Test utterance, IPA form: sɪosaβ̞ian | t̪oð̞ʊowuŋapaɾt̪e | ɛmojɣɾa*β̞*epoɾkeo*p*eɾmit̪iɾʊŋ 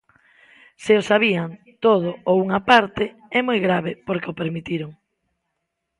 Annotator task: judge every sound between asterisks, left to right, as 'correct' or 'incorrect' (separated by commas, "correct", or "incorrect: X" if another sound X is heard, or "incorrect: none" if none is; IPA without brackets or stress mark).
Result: correct, correct